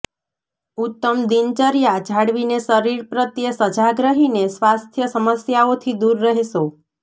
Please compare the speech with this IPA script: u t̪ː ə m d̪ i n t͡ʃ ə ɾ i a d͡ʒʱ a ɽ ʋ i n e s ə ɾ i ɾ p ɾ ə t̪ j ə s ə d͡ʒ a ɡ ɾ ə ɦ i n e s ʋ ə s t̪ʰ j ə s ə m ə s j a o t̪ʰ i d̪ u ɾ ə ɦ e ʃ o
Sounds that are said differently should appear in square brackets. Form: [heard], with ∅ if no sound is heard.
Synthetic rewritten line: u t̪ː ə m d̪ i n t͡ʃ ə ɾ [j] a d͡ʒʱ a ɽ ʋ i n e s ə ɾ i ɾ p ɾ ə t̪ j ə s ə d͡ʒ a ɡ ɾ ə ɦ i n e s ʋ [a] s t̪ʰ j ə s ə m ə s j a o t̪ʰ i d̪ u [ɾː] ə ɦ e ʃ o

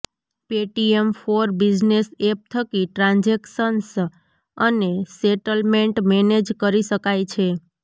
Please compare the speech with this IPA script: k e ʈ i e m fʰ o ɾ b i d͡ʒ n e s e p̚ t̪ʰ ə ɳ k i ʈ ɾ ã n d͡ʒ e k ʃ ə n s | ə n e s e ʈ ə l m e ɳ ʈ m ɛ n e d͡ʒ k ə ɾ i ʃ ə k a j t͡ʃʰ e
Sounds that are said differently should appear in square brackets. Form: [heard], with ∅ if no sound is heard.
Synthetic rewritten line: [p] e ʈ i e m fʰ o ɾ b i d͡ʒ n e s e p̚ t̪ʰ ə [∅] k i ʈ ɾ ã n d͡ʒ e k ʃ ə n s | ə n e s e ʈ ə l m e ɳ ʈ m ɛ n e d͡ʒ k ə ɾ i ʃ ə k a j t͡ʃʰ e

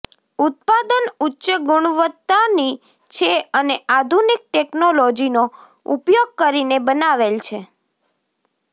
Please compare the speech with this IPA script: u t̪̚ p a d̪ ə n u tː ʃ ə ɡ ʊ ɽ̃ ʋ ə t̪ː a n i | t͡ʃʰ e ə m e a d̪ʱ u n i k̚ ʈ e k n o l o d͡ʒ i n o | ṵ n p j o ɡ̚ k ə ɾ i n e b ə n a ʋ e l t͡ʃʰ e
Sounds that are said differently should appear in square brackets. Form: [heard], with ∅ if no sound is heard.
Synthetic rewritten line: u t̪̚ p a d̪ ə n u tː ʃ ə ɡ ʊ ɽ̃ ʋ ə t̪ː a n i | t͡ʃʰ e ə [n] e a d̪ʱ u n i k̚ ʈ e k n o l o d͡ʒ i n o | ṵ [∅] p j o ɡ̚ k ə ɾ i n e b ə n a ʋ e l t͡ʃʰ e

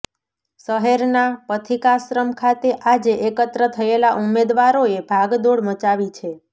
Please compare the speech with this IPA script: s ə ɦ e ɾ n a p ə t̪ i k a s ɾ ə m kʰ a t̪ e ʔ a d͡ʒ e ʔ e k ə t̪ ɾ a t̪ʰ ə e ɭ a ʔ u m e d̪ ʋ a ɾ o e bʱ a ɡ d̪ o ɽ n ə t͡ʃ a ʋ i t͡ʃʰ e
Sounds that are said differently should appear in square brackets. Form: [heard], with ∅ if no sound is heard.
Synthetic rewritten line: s ə ɦ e ɾ n a p ə [t̪ʰ] i k a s ɾ ə m kʰ a t̪ e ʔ a d͡ʒ e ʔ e k ə t̪ ɾ [ə] t̪ʰ ə e [l] a ʔ u m e d̪ ʋ a ɾ o e bʱ a ɡ d̪ o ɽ [m] ə t͡ʃ a ʋ i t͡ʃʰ e

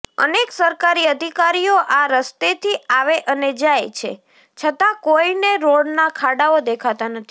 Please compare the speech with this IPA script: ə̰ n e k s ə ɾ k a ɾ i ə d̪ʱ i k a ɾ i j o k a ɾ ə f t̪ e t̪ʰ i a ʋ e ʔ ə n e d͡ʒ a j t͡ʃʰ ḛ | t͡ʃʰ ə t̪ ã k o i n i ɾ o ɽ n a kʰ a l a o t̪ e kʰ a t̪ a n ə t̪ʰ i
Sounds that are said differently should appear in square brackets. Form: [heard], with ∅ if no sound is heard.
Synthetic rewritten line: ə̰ n e k s ə ɾ k a ɾ i ə d̪ʱ i k a ɾ i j o [ʔ] a ɾ ə [s] t̪ e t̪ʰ i a ʋ e ʔ ə n e d͡ʒ a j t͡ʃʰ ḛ | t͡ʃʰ ə t̪ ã k o i n [e] ɾ o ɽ n a kʰ a [ɽ] a o [d̪] e kʰ a t̪ a n ə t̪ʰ i

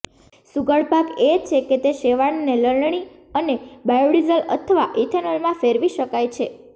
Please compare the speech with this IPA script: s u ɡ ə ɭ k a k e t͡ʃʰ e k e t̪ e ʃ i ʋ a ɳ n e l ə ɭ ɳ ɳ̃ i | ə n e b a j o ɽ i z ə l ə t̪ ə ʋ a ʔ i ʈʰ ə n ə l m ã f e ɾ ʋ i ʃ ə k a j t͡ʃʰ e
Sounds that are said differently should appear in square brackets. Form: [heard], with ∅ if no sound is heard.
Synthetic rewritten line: s u ɡ ə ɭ [p] a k e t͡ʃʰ e k e t̪ e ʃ [e] ʋ a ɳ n e l ə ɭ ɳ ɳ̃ i | ə n e b a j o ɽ i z ə l ə [t̪ʰ] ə ʋ a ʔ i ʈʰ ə n ə l m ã f e ɾ ʋ i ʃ ə k a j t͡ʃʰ e

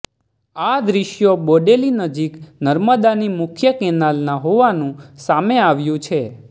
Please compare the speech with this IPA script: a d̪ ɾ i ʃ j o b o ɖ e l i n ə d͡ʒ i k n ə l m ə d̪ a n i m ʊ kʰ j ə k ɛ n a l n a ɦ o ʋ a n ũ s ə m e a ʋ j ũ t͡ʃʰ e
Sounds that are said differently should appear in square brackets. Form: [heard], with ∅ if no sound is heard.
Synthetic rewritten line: a d̪ ɾ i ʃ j o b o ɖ e l i n ə d͡ʒ i k n ə [ɾ] m ə d̪ a n i m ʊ kʰ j ə k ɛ n a l n a ɦ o ʋ a n ũ s [a] m e a ʋ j ũ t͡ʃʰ e

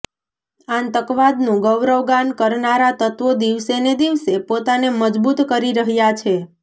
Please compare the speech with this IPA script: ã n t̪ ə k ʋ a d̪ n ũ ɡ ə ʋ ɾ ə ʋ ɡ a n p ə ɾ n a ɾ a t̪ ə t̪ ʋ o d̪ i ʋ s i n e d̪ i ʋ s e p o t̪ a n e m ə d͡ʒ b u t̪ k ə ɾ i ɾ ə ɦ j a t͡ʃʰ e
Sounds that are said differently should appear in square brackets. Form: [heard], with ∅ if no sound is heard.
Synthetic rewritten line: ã n t̪ ə k ʋ a d̪ n ũ ɡ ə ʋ ɾ ə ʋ ɡ a n [k] ə ɾ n a ɾ a t̪ ə t̪ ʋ o d̪ i ʋ s [e] n e d̪ i ʋ s e p o t̪ a n e m ə d͡ʒ b u t̪ k ə ɾ i ɾ ə ɦ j a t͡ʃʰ e

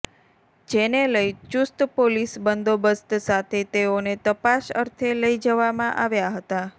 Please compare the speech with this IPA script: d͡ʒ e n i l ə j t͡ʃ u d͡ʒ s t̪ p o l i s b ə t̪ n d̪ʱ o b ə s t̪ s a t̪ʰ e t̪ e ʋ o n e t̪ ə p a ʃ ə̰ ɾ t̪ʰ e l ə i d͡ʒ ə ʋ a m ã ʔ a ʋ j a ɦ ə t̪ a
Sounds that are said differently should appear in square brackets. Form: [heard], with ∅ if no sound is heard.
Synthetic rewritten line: d͡ʒ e n [e] l ə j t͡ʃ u [∅] s t̪ p o l i s b ə [∅] n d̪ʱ o b ə s t̪ s a t̪ʰ e t̪ e [∅] o n e t̪ ə p a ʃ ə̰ ɾ t̪ʰ e l ə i d͡ʒ ə ʋ a m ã ʔ a ʋ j a ɦ ə t̪ a

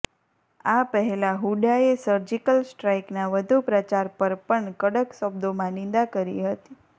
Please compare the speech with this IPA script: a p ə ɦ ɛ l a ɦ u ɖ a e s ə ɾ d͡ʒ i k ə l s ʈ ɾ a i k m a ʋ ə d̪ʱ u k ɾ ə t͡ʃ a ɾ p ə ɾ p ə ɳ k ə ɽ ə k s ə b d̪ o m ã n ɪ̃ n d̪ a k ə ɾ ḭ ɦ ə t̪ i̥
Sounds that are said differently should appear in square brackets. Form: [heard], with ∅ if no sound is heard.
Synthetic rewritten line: a p ə ɦ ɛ l a ɦ u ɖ a e s ə ɾ d͡ʒ i k ə l s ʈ ɾ a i k [n] a ʋ ə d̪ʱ u [p] ɾ ə t͡ʃ a ɾ p ə ɾ p ə ɳ k ə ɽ ə k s ə b d̪ o m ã n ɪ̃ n d̪ a k ə ɾ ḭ ɦ ə t̪ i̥

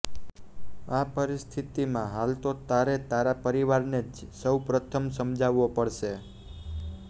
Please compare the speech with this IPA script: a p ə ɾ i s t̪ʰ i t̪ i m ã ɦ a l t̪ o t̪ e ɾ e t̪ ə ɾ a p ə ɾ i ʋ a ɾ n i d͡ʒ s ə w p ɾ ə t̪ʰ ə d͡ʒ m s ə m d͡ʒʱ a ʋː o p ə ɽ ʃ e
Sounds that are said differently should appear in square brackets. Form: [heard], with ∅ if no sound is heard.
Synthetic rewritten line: a p ə ɾ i s t̪ʰ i t̪ i m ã ɦ a l t̪ o t̪ [a] ɾ e t̪ [a] ɾ a p ə ɾ i ʋ a ɾ n [e] d͡ʒ s ə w p ɾ ə t̪ʰ ə [∅] m s ə m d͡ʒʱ a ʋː o p ə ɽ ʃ e

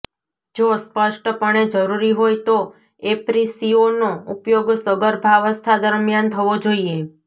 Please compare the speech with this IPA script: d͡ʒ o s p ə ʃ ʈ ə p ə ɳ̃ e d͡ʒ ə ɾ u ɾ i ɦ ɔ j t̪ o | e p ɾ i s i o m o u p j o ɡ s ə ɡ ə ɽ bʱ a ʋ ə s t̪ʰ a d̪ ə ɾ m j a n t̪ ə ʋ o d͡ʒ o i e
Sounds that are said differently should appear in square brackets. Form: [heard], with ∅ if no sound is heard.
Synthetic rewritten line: d͡ʒ o s p ə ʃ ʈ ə p ə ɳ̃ e d͡ʒ ə ɾ u ɾ i ɦ [o] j t̪ o | e p ɾ i s i o [n] o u p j o ɡ s ə ɡ ə [ɾ] bʱ a ʋ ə s t̪ʰ a d̪ ə ɾ m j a n [t̪ʰ] ə ʋ o d͡ʒ o i e

